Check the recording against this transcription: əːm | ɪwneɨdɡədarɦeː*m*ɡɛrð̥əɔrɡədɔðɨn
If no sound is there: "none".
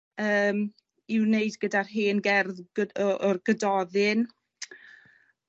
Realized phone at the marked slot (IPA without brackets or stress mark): n